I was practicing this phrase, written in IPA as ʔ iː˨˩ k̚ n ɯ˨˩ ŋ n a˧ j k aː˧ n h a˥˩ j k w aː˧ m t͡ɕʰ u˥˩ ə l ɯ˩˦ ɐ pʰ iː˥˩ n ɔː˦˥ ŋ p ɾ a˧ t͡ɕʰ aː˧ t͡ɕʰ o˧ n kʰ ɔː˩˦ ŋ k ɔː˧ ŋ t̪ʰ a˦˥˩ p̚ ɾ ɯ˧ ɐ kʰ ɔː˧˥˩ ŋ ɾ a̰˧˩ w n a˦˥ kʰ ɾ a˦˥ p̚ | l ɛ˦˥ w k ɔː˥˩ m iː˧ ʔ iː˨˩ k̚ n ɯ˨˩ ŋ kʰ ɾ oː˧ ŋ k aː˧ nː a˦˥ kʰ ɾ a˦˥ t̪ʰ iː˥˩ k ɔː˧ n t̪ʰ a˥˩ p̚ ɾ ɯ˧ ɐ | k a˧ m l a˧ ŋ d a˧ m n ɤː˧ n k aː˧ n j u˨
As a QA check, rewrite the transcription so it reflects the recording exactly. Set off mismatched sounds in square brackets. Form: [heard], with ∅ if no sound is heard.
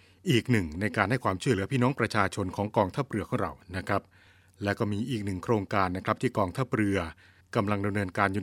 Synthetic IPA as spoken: ʔ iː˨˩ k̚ n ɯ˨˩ ŋ n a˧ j k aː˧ n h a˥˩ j k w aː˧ m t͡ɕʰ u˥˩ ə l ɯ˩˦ ɐ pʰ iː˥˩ n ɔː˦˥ ŋ p ɾ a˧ t͡ɕʰ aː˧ t͡ɕʰ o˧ n kʰ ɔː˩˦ ŋ k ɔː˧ ŋ t̪ʰ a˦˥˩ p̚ ɾ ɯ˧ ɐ kʰ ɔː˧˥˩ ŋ ɾ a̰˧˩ w n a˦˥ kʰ ɾ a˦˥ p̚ | l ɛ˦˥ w k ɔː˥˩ m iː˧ ʔ iː˨˩ k̚ n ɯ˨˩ ŋ kʰ ɾ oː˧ ŋ k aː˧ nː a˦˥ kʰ ɾ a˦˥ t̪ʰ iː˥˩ k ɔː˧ [ŋ] t̪ʰ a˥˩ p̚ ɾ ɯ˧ ɐ | k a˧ m l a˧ ŋ d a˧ m n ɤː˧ n k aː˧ n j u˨